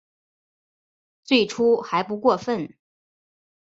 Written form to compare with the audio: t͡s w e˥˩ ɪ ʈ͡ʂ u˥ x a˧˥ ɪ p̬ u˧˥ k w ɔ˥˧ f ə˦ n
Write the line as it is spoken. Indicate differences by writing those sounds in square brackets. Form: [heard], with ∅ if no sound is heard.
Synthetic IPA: t͡s w e˥˩ ɪ [ʈ͡ʂʰ] u˥ x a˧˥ ɪ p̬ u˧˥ k w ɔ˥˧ f [ə˥˩] n

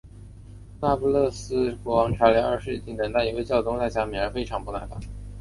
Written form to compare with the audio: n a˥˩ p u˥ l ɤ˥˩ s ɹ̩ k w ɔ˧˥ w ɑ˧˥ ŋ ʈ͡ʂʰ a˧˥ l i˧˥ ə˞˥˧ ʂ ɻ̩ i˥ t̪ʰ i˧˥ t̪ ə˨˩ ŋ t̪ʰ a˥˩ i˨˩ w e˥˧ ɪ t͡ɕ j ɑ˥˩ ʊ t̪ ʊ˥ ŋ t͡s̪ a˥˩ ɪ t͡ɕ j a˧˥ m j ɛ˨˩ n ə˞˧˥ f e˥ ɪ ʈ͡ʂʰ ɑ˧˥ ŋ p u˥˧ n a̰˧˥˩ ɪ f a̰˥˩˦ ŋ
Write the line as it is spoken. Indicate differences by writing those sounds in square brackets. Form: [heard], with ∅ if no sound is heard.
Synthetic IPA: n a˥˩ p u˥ l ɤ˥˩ s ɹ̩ k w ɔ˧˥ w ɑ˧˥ ŋ ʈ͡ʂʰ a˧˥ l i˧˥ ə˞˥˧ ʂ ɻ̩ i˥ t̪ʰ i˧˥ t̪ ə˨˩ ŋ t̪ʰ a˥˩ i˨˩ w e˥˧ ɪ t͡ɕ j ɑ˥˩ ʊ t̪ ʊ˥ ŋ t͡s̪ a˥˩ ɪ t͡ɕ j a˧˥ m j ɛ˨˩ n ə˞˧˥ f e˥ ɪ ʈ͡ʂʰ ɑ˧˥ ŋ p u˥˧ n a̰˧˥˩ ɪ f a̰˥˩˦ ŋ

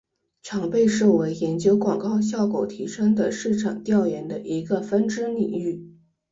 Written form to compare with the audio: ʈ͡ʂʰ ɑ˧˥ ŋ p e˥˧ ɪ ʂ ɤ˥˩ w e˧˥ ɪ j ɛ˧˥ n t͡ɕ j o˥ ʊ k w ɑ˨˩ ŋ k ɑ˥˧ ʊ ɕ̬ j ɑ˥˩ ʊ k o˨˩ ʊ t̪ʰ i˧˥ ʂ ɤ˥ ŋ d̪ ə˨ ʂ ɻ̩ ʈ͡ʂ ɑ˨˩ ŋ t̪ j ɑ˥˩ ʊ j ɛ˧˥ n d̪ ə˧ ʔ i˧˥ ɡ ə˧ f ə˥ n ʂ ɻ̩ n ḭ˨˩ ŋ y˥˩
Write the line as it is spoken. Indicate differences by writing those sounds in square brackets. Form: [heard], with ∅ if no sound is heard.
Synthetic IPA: ʈ͡ʂʰ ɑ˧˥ ŋ p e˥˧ ɪ ʂ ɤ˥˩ w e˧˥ ɪ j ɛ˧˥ n t͡ɕ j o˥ ʊ k w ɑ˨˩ ŋ k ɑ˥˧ ʊ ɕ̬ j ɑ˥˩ ʊ k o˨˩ ʊ t̪ʰ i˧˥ ʂ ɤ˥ ŋ d̪ ə˨ ʂ ɻ̩ [ʈ͡ʂʰ] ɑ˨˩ ŋ t̪ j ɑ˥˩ ʊ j ɛ˧˥ n d̪ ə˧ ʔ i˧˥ ɡ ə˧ f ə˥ n [ʈ͡ʂ] ɻ̩ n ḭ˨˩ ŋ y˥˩

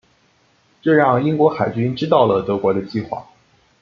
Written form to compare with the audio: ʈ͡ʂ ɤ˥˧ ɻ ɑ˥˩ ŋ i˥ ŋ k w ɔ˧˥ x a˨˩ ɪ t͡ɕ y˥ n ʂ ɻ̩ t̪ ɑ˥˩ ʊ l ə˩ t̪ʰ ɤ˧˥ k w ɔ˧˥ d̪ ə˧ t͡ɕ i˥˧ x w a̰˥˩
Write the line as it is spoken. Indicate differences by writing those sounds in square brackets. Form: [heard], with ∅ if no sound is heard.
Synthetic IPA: ʈ͡ʂ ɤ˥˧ ɻ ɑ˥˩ ŋ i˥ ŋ k w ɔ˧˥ x a˨˩ ɪ t͡ɕ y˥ n [ʈ͡ʂ] ɻ̩ t̪ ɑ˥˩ ʊ l ə˩ [t̪] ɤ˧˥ k w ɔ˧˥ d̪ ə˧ t͡ɕ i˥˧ x w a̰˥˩

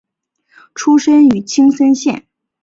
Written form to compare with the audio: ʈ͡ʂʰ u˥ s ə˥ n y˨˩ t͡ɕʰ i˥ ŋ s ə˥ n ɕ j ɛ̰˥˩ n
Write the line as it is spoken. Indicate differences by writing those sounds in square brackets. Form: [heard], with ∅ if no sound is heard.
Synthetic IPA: ʈ͡ʂʰ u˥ [ʂ] ə˥ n y˨˩ t͡ɕʰ i˥ ŋ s ə˥ n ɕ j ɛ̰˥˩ n

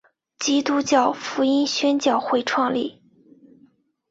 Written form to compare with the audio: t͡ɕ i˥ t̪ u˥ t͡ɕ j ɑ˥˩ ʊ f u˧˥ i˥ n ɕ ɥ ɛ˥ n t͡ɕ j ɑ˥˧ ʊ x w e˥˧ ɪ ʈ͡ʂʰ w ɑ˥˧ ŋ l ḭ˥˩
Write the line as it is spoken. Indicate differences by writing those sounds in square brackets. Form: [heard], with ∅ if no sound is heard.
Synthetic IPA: t͡ɕ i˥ t̪ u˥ t͡ɕ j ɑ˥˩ ʊ f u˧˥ i˥ n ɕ ɥ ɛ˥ n t͡ɕ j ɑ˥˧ ʊ x w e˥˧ ɪ ʈ͡ʂʰ w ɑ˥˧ ŋ l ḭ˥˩

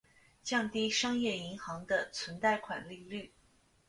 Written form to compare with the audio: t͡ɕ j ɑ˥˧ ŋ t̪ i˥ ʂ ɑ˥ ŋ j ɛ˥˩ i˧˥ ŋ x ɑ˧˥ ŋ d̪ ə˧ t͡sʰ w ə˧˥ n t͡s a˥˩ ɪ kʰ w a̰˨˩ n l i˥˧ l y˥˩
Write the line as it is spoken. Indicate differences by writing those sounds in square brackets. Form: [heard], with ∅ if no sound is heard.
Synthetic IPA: t͡ɕ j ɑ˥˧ ŋ t̪ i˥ ʂ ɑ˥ ŋ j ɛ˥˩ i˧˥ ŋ x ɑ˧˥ ŋ d̪ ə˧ t͡sʰ w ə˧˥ n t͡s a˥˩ ɪ kʰ w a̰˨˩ n l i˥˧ l y˥˩

